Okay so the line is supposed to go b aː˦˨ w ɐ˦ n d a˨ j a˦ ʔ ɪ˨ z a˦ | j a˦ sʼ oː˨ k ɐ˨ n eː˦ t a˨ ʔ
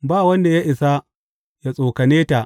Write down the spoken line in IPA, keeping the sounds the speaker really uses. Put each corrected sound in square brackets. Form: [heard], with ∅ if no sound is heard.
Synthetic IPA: b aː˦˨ w ɐ˦ n d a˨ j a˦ ʔ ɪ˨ [s] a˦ | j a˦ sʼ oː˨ k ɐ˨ n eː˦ t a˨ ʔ

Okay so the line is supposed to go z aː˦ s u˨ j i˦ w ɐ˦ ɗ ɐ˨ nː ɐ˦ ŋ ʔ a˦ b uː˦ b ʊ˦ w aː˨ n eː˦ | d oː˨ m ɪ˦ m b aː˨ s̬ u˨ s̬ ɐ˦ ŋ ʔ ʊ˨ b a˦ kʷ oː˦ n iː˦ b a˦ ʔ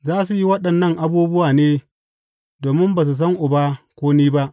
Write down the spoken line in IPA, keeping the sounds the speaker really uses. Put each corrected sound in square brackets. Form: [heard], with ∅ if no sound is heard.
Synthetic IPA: z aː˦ s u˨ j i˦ w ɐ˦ ɗ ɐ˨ nː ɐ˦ ŋ ʔ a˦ b uː˦ b ʊ˦ w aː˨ n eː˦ | d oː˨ m ɪ˦ m b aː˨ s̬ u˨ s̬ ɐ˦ ŋ ʔ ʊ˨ b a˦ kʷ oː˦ n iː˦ b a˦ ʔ

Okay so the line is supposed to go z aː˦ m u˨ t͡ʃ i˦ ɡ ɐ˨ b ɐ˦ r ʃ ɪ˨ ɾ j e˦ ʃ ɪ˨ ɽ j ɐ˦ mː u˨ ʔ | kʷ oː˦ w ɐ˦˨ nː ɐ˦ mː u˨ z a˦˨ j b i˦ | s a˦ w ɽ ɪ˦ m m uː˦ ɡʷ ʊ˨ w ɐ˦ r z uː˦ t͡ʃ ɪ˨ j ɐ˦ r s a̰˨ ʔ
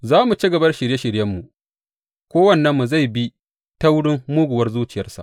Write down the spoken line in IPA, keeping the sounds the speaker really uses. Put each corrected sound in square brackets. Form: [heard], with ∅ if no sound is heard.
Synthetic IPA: z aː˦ m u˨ t͡ʃ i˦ ɡ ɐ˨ b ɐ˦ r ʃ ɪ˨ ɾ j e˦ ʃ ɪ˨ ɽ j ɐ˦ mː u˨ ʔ | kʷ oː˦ w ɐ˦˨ nː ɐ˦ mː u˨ z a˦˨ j b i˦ | [t] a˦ w ɽ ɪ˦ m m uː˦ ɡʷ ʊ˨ w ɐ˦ r z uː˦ t͡ʃ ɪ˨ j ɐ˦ r s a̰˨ ʔ

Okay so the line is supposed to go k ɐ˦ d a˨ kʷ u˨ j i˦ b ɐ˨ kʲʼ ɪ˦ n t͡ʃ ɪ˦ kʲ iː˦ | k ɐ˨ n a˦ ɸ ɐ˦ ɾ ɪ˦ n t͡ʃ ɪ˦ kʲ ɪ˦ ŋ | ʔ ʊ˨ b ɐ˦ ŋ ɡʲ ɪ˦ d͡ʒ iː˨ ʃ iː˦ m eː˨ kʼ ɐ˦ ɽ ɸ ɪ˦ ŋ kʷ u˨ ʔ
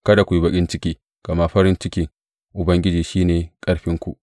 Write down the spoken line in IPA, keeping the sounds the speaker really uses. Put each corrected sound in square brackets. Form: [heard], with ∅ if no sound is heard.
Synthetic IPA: k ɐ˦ d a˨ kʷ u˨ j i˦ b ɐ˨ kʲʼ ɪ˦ n t͡ʃ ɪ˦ kʲ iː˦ | k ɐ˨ [m] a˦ ɸ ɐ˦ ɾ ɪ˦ n t͡ʃ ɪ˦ kʲ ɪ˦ ŋ | ʔ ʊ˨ b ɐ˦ ŋ ɡʲ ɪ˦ d͡ʒ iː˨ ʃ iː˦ [n] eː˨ kʼ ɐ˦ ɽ ɸ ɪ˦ ŋ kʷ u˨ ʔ

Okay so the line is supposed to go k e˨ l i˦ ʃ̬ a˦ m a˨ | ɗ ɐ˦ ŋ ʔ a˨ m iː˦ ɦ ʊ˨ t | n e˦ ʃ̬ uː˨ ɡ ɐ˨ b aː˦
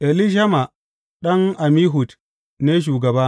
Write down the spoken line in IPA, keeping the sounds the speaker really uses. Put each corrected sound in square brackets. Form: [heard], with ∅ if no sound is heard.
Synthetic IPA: [ʔ] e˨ l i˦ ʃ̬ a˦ m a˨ | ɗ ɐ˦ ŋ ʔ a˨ m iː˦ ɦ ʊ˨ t | n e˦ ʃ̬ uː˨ ɡ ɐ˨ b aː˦

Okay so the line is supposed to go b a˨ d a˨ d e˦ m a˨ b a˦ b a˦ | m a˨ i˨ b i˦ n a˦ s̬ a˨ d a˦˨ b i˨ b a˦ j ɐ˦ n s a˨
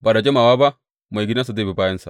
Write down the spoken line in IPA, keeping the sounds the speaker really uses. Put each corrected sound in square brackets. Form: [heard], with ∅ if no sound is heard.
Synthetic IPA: b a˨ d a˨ [d͡ʒ] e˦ m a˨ [w] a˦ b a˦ | m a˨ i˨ [ɡ] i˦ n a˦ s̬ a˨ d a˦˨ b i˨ b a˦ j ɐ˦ n s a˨

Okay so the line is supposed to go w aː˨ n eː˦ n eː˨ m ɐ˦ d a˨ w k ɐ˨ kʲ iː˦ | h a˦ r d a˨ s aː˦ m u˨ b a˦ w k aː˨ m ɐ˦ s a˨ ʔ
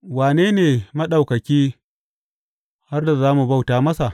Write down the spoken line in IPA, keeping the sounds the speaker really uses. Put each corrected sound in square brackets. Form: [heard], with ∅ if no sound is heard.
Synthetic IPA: w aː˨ n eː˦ n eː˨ m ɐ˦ [ɗ] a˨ w k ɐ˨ kʲ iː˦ | h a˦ r d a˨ [z] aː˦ m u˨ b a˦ w [t] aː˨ m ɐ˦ s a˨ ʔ

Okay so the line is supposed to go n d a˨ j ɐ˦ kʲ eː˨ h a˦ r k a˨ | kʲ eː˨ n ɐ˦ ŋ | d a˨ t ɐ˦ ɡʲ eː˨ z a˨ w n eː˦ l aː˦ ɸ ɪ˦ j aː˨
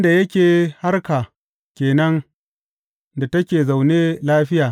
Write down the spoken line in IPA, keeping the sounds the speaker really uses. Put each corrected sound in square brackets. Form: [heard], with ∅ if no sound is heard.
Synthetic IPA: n d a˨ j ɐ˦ kʲ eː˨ h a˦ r k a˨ | kʲ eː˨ n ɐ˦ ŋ | d a˨ t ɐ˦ [kʲ] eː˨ z a˨ w n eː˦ l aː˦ ɸ ɪ˦ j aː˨

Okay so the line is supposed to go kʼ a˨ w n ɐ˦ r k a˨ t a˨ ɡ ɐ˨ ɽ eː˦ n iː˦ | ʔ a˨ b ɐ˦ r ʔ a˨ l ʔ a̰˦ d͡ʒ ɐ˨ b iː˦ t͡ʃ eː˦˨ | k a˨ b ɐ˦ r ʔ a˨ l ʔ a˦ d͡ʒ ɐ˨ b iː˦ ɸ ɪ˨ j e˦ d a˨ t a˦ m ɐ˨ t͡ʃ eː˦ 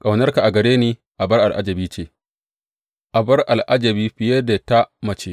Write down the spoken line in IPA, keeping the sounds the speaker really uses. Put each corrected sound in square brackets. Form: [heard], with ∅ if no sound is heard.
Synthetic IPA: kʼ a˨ w n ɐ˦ r k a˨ [ʔ] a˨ ɡ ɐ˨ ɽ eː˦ n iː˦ | ʔ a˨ b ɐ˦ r ʔ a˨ l ʔ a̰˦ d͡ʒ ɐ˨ b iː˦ t͡ʃ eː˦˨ | [ʔ] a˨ b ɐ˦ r ʔ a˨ l ʔ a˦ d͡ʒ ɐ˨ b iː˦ ɸ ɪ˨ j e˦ d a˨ t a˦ m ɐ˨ t͡ʃ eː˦

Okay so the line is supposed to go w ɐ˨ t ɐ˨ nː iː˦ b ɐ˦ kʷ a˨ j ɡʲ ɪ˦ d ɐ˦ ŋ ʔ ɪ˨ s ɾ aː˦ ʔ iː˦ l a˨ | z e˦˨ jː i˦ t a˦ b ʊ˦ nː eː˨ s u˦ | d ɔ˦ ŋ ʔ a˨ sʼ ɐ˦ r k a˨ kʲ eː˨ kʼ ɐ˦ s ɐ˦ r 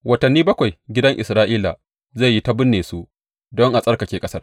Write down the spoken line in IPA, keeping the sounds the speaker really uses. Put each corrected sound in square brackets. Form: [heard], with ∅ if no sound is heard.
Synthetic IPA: w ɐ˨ t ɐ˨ nː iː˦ b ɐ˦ kʷ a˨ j ɡʲ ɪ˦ d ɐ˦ ŋ ʔ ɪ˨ s ɾ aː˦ ʔ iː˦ l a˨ | z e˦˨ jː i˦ t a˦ b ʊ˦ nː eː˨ s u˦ | d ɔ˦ ŋ ʔ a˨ sʼ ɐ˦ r k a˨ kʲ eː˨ kʼ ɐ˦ s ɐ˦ r

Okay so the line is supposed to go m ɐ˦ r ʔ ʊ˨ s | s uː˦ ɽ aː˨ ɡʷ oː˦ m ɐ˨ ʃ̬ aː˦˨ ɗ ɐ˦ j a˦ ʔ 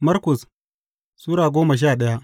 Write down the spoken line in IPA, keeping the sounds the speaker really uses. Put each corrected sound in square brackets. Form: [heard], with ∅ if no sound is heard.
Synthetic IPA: m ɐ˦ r [k] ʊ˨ s | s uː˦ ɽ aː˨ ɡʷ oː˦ m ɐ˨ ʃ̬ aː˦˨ ɗ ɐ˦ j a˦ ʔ

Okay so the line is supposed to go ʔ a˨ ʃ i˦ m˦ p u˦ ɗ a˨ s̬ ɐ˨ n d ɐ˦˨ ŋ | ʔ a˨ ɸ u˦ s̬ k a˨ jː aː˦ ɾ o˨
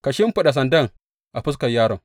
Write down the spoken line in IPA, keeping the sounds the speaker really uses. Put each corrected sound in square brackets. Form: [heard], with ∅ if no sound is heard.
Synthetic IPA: [k] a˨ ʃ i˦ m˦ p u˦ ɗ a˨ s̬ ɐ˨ n d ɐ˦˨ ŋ | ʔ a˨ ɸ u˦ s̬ k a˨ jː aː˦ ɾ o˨

